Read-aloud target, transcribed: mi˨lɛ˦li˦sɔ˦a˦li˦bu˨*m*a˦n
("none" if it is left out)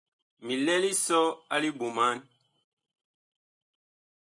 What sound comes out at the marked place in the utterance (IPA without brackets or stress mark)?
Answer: m